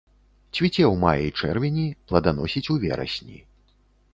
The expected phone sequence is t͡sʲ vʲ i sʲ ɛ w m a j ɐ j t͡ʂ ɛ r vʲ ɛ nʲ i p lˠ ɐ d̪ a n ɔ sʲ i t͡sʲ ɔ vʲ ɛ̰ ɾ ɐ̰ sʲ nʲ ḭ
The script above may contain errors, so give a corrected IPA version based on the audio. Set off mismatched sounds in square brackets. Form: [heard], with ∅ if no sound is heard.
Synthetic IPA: t͡sʲ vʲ i [t͡sʲ] ɛ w m a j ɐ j t͡ʂ ɛ r vʲ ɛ nʲ i p lˠ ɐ d̪ a n ɔ sʲ i t͡sʲ [u] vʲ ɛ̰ ɾ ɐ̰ sʲ nʲ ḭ